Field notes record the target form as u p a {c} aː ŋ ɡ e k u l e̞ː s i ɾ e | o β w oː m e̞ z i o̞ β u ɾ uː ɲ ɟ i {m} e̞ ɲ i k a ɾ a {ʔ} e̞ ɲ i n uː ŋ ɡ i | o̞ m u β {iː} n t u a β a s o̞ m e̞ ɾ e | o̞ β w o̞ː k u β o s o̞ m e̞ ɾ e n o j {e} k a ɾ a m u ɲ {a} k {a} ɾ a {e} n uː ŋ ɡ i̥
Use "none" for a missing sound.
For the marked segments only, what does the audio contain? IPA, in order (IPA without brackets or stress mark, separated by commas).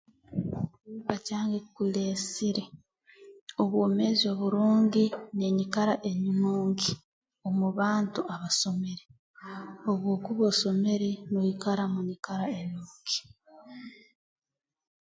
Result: c, n, ʔ, aː, i, i, a, e